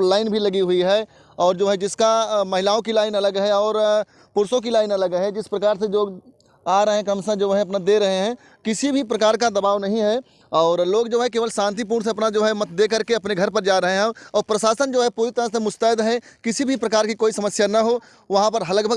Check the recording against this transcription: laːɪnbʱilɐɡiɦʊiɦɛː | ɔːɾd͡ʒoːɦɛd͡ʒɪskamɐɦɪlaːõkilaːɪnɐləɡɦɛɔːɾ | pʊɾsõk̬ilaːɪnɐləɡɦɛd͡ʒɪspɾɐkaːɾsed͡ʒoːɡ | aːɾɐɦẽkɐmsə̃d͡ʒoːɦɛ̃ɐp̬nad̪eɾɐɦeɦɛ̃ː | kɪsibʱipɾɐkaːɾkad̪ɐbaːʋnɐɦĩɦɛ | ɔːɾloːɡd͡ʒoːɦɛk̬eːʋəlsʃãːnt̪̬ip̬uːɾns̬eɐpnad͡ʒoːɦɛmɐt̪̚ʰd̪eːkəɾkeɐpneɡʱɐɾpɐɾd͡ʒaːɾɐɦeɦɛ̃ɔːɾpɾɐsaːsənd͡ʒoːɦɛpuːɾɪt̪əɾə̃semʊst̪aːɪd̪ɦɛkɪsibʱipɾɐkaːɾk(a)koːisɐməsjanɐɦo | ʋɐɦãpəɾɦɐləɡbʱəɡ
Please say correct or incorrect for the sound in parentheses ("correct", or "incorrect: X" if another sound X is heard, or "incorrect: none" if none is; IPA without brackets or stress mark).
incorrect: i